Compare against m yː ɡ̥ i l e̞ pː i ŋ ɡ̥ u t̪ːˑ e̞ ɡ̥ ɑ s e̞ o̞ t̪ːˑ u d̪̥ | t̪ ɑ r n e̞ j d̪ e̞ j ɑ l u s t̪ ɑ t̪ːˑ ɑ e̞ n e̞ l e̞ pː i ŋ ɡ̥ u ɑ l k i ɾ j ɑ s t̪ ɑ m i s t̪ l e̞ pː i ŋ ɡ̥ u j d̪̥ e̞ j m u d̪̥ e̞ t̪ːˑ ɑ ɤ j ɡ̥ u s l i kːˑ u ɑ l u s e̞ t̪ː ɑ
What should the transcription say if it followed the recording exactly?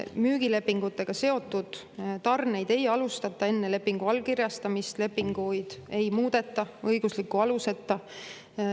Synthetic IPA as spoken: m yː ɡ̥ i l e̞ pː i ŋ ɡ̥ u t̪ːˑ e̞ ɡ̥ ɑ s e̞ o̞ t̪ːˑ u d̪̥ | t̪ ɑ r n e̞ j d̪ e̞ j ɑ l u s t̪ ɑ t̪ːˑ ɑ e̞ nː e̞ l e̞ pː i ŋ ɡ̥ u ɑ l k i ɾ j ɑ s t̪ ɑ m i s t̪ l e̞ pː i ŋ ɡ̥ u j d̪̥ e̞ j m uː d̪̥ e̞ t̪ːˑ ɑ ɤ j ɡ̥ u s l i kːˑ u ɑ l u s e̞ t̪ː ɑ